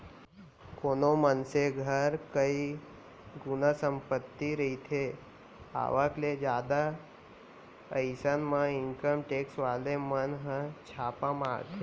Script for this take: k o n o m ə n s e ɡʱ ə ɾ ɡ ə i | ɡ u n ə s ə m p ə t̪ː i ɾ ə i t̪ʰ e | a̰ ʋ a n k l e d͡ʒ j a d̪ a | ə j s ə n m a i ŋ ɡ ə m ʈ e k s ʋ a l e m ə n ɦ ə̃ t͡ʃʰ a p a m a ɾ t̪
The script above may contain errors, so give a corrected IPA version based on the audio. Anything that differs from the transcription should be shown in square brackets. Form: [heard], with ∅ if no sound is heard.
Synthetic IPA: k o n o m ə n s e ɡʱ ə ɾ [k] ə i | ɡ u n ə s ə m p ə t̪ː i ɾ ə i t̪ʰ e | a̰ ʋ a [∅] k l e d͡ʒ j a d̪ a | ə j s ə n m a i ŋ [k] ə m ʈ e k s ʋ a l e m ə n ɦ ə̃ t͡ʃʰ a p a m a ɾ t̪